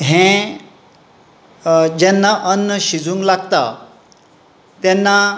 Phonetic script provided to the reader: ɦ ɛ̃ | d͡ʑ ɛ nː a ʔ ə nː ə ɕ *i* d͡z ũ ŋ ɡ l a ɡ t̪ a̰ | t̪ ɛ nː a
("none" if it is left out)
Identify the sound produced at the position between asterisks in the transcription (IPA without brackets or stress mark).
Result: i